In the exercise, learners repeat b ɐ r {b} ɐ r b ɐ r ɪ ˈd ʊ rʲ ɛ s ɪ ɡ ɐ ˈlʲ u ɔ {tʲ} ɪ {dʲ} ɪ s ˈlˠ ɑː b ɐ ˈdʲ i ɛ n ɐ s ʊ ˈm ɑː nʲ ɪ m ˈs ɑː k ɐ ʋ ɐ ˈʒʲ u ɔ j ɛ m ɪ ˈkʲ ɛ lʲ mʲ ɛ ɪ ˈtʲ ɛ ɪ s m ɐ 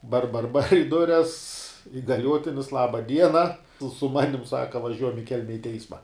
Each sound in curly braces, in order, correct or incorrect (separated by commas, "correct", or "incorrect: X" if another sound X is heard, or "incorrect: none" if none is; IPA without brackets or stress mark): correct, correct, incorrect: nʲ